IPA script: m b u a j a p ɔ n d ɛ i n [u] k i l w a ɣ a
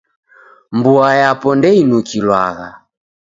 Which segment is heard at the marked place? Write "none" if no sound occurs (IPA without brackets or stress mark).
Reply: u